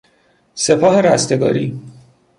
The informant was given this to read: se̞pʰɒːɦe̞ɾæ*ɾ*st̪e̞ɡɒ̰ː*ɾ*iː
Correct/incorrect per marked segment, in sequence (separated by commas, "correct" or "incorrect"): incorrect, correct